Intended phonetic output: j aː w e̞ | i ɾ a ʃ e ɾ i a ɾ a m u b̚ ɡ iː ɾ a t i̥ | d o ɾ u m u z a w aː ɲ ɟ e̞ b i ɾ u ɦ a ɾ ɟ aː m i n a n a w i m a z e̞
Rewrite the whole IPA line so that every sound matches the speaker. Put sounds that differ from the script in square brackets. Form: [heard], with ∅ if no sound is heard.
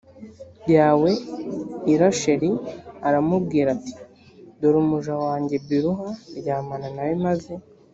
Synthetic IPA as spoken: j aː w e̞ | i ɾ a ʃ e ɾ i a ɾ a m u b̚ ɡ iː ɾ a t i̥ | d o ɾ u m u [ʒ] a w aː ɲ ɟ e̞ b i ɾ u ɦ a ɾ ɟ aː m [a] n a n a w i m a z e̞

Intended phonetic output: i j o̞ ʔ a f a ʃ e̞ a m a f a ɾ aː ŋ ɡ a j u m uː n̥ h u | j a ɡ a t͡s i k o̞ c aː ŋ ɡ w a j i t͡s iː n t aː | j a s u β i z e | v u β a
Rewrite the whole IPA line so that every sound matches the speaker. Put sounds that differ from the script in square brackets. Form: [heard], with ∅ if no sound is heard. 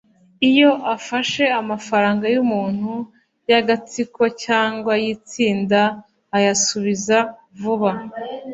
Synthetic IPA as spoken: i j o̞ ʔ a f a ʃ e̞ a m a f a ɾ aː ŋ ɡ a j u m uː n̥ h u | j a ɡ a t͡s i k o̞ c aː ŋ ɡ w a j i t͡s iː n [d] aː | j a s u β i z [a] | v u β a

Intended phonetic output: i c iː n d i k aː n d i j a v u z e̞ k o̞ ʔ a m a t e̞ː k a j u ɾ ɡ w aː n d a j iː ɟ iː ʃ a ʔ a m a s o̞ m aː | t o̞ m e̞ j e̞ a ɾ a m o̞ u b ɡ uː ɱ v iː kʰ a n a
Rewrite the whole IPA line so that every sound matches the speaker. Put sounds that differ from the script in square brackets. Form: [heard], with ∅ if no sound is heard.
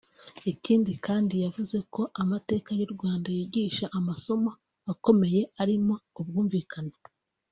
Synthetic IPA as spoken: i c iː n d i k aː n d i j a v u z e̞ k o̞ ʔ a m a t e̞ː k a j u ɾ ɡ w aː n d a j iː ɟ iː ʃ a ʔ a m a s o̞ m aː | [k] o̞ m e̞ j e̞ a ɾ [i] m o̞ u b ɡ uː ɱ v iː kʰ a n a

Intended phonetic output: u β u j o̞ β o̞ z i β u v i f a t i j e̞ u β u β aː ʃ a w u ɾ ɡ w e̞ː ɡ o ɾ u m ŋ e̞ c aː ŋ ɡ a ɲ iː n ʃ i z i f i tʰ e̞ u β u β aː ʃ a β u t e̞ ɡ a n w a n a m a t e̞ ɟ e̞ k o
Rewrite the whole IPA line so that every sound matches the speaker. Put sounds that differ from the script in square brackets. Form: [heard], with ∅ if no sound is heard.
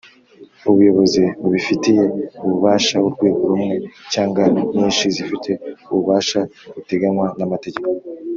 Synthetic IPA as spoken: u β u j o̞ β o̞ z i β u [β] i f [i] t i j e̞ u β u β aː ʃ a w u ɾ ɡ w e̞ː ɡ o ɾ u m ŋ e̞ c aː ŋ ɡ a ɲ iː n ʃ i z i f i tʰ e̞ u β u β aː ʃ a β u t e̞ ɡ a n w a n a m a t e̞ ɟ e̞ k o

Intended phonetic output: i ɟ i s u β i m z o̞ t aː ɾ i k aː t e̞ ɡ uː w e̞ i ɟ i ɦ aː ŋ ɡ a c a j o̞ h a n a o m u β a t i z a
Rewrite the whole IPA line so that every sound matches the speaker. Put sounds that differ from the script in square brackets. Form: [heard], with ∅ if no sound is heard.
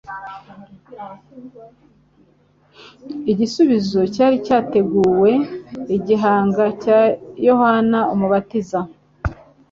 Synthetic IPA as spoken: i ɟ i s u β i [∅] z o̞ [c] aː ɾ i [c] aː t e̞ ɡ uː w e̞ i ɟ i ɦ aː ŋ ɡ a c a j o̞ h a n a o m u β a t i z a

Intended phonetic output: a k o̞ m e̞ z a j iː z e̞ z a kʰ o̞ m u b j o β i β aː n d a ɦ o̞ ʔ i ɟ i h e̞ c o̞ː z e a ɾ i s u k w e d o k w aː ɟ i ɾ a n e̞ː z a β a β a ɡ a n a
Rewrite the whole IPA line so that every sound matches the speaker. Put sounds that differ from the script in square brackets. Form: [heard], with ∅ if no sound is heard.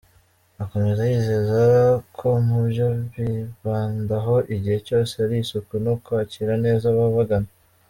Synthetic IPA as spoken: a k o̞ m e̞ z a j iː z e̞ z a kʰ o̞ m u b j o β i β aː n d a ɦ o̞ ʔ i ɟ i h e̞ c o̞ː [s] e a ɾ i s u k w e [n] o k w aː [c] i ɾ a n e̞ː z a β a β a ɡ a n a

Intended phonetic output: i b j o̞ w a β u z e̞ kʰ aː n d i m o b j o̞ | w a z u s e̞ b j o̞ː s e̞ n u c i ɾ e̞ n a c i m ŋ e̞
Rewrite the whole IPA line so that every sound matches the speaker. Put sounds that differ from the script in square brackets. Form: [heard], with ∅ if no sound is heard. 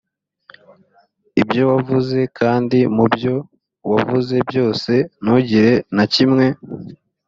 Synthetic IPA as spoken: i b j o̞ w a [v] u z e̞ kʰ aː n d i m [u] b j o̞ | w a [v] u [z] e̞ b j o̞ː s e̞ n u [ɟ] i ɾ e̞ n a c i m ŋ e̞

